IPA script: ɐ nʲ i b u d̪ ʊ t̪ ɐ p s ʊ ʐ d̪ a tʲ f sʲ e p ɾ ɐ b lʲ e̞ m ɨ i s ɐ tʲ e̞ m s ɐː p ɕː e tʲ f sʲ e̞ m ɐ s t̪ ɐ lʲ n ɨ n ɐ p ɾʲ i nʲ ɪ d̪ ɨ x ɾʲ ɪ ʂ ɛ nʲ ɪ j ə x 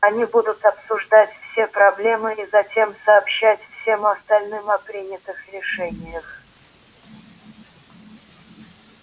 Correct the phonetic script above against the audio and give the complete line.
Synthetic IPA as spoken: ɐ nʲ i b u d̪ ʊ t̪ ɐ p s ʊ ʐ d̪ a tʲ f sʲ e p ɾ ɐ b lʲ e̞ m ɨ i z ɐ tʲ e̞ m s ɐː p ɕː æ tʲ f sʲ e̞ m ɐ s t̪ ɐ lʲ n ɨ m ɐ p ɾʲ i nʲ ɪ t̪ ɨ x ɾʲ ɪ ʂ ɛ nʲ ɪ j ə x